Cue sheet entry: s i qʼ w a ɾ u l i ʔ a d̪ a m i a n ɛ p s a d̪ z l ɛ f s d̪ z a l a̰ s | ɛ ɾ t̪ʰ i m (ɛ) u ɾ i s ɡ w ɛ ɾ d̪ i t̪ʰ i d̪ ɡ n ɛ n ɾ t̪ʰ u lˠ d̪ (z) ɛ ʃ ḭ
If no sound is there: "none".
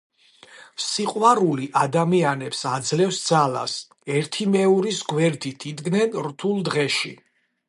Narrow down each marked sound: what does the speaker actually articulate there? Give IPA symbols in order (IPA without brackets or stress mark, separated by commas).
ɛ, ʁ